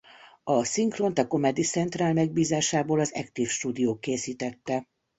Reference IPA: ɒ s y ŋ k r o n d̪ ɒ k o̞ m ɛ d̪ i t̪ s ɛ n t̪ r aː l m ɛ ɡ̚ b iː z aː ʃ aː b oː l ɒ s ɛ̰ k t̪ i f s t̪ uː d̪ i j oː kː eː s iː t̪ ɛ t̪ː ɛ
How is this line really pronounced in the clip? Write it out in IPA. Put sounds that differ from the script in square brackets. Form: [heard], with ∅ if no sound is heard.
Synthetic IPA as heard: ɒ s [i] ŋ k r o n [t̪] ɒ k o̞ m ɛ d̪ i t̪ s ɛ n t̪ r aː l m ɛ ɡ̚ b iː z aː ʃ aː b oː l ɒ [z] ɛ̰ k t̪ i f [ʃ] t̪ uː d̪ i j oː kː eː s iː t̪ ɛ t̪ː ɛ

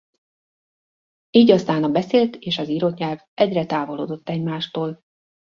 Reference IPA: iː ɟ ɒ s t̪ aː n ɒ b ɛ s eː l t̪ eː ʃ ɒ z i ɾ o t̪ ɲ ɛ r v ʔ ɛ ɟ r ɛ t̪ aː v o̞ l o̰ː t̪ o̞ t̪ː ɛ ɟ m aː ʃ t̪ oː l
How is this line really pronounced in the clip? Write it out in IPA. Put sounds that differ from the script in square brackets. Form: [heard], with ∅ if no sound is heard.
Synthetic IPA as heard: iː ɟ ɒ s t̪ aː n ɒ b ɛ s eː l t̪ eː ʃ ɒ z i ɾ o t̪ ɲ ɛ [l] v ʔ ɛ ɟ r ɛ t̪ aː v o̞ l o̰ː [d̪] o̞ t̪ː ɛ ɟ m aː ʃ t̪ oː l

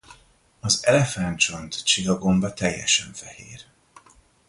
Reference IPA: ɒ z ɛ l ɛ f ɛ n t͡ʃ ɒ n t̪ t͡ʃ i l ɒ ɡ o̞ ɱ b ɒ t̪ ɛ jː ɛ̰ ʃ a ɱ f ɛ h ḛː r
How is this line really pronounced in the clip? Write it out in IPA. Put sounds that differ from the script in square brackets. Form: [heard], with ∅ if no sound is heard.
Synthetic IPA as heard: ɒ z ɛ l ɛ f [a] n t͡ʃ [o] n t̪ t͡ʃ i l ɒ ɡ o̞ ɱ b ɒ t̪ ɛ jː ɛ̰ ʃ [ɛ] ɱ f ɛ h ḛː r

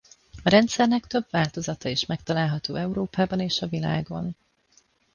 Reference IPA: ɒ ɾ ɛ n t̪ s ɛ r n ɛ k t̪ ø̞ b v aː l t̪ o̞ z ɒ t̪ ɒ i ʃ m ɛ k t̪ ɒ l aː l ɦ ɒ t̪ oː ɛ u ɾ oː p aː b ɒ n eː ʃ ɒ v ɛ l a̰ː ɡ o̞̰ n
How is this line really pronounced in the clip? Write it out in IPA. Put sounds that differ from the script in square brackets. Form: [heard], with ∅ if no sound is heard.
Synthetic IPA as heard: ɒ ɾ ɛ n t̪ s ɛ r n ɛ k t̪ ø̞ b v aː l t̪ o̞ z ɒ t̪ ɒ i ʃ m ɛ k t̪ ɒ l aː l ɦ ɒ t̪ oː ɛ u ɾ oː p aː b ɒ n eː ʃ ɒ v [i] l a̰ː ɡ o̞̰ n

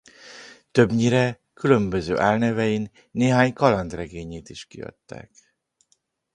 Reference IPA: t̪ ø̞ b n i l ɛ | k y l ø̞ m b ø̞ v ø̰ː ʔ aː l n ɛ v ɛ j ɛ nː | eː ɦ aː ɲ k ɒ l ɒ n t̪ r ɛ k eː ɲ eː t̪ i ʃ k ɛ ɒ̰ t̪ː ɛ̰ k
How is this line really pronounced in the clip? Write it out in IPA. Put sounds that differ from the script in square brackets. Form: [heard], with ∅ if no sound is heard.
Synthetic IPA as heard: t̪ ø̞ b [ɲ] i [ɾ] ɛ | k y l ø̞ m b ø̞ [z] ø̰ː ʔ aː l n ɛ v ɛ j [i] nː | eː ɦ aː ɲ k ɒ l ɒ n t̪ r ɛ [ɡ] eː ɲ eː t̪ i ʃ k [i] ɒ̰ t̪ː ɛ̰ k

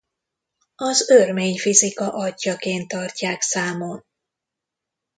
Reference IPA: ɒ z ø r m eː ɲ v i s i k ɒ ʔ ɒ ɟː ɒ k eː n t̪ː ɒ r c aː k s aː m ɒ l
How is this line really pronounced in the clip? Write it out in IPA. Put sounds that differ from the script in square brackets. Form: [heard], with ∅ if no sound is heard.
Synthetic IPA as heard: ɒ z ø r m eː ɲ [f] i [z] i k ɒ ʔ ɒ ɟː ɒ k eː n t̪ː ɒ r c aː k s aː m [o] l

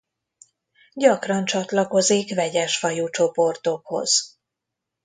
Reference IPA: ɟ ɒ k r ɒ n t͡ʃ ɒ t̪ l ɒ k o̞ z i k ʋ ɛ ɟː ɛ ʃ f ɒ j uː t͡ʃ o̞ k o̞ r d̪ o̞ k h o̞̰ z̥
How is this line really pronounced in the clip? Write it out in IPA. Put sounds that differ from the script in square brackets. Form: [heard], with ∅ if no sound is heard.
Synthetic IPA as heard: ɟ ɒ k r ɒ n t͡ʃ ɒ t̪ l ɒ k o̞ z i k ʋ ɛ [ɟ] ɛ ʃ f ɒ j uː t͡ʃ o̞ [p] o̞ r [t̪] o̞ k h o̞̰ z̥

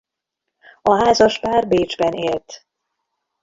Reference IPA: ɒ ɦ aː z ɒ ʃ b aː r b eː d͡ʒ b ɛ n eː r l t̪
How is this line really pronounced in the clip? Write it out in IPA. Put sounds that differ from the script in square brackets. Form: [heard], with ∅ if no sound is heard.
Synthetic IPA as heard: ɒ ɦ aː z ɒ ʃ [p] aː r b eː d͡ʒ b ɛ n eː [∅] l t̪

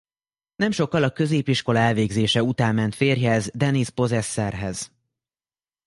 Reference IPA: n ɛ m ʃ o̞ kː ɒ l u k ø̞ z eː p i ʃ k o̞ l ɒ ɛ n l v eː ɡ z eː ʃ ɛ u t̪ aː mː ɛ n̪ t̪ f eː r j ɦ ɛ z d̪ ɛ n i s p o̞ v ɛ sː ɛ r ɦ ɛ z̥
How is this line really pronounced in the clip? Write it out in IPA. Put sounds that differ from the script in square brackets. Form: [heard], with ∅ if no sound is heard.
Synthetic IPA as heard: n ɛ m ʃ o̞ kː ɒ l [ɒ] k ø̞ z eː p i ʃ k o̞ l ɒ ɛ [∅] l v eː ɡ z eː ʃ ɛ u t̪ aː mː ɛ n̪ t̪ f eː r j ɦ ɛ z d̪ ɛ n i s p o̞ [z] ɛ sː ɛ r ɦ ɛ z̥

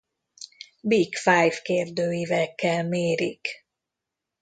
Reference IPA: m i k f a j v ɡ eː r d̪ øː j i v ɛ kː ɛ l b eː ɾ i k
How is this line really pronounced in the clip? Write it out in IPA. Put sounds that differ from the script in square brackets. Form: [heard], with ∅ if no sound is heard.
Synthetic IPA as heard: [b] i k f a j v [k] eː r d̪ øː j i v ɛ kː ɛ l [m] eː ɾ i k

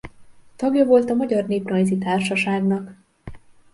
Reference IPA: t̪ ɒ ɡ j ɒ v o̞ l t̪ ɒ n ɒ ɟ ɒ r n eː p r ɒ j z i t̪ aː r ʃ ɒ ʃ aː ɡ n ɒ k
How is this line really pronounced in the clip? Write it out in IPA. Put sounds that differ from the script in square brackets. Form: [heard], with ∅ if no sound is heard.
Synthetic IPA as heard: t̪ ɒ ɡ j ɒ v o̞ l t̪ ɒ [m] ɒ ɟ ɒ r n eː p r ɒ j z i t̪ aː r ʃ ɒ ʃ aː ɡ n ɒ k

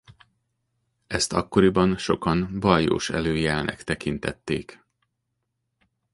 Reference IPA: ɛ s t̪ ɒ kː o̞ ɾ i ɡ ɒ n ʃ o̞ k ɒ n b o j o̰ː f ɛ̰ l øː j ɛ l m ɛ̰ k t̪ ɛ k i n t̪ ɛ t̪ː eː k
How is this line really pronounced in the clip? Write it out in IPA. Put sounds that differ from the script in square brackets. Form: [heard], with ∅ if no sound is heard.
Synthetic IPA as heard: ɛ s t̪ ɒ kː o̞ ɾ i [b] ɒ n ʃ o̞ k ɒ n b [ɒ] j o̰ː [ʃ] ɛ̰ l øː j ɛ l [n] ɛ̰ k t̪ ɛ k i n t̪ ɛ t̪ː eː k

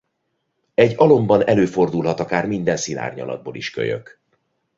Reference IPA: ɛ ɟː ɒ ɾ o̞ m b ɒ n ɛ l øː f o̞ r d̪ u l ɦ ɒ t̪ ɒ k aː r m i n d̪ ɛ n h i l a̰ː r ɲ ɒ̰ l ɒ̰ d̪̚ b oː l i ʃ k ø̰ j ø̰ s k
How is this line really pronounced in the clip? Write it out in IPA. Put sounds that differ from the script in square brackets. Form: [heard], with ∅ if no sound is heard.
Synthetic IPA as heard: ɛ ɟː ɒ [l] o̞ m b ɒ n ɛ l øː f o̞ r d̪ u l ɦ ɒ t̪ ɒ k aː r m i n d̪ ɛ n [s] i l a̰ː r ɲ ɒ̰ l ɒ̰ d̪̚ b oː l i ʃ k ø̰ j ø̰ [∅] k

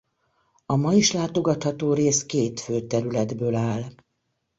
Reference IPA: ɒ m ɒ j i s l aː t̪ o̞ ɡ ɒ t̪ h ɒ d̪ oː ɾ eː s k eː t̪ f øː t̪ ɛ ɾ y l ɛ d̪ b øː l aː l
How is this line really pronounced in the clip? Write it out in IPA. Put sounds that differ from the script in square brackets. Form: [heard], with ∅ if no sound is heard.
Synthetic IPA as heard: ɒ m ɒ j i [ʃ] l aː t̪ o̞ ɡ ɒ t̪ h ɒ [t̪] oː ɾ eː s k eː t̪ f øː t̪ ɛ ɾ y l ɛ d̪ b øː l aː l

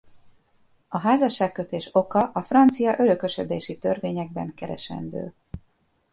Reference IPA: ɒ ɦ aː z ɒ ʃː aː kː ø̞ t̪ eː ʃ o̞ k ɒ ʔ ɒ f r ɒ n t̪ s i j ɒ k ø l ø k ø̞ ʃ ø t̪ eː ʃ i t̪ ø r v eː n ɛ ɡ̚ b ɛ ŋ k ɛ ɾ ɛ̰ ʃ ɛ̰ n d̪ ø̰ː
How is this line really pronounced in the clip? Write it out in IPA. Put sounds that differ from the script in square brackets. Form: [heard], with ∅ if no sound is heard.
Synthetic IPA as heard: ɒ ɦ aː z ɒ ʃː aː kː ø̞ t̪ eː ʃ o̞ k ɒ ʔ ɒ f r ɒ n t̪ s i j ɒ [ʔ] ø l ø k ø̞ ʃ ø [d̪] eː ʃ i t̪ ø r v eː [ɲ] ɛ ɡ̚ b ɛ ŋ k ɛ ɾ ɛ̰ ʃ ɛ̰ n d̪ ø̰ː

